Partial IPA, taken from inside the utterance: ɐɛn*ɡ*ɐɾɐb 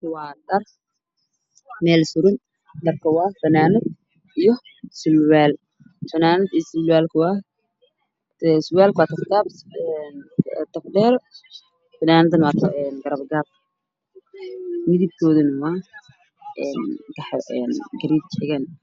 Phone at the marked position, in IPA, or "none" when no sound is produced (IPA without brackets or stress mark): ɡ